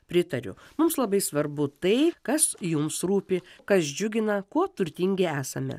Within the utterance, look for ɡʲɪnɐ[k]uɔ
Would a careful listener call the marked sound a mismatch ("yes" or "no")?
no